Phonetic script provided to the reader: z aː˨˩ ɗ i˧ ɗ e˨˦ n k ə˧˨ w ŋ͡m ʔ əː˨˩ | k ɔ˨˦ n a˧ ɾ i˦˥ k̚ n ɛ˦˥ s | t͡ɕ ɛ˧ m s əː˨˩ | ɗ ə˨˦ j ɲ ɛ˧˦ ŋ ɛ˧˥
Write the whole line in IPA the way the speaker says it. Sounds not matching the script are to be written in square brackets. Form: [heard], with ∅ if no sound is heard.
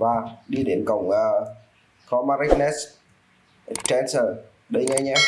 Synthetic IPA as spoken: [v] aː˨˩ ɗ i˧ ɗ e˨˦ n k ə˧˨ w ŋ͡m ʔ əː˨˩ | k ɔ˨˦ [m] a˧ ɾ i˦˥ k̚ n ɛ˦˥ s | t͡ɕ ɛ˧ [n] s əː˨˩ | ɗ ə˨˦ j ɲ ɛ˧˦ [ɲ] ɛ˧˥